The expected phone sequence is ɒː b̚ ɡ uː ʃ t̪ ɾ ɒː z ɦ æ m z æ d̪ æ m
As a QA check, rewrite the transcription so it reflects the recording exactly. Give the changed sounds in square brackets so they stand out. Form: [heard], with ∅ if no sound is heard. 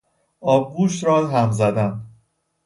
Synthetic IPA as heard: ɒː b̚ ɡ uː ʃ t̪ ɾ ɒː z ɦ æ m z æ d̪ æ [n]